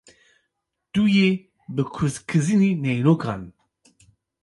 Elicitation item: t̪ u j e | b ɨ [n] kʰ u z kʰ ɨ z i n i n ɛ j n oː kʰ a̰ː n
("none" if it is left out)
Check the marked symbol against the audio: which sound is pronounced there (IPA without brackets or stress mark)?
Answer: none